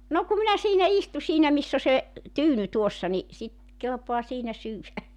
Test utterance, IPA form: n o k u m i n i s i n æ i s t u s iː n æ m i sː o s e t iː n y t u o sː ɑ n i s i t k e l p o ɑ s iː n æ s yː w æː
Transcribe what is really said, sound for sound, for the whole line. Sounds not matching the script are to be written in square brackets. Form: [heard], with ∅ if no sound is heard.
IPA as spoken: n o k u m i n [æ] s [iː] n æ i s t u s iː n æ m i sː o s e t [yː] n y t u o sː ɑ n i s i t k e l p o ɑ s iː n æ s yː w [æ]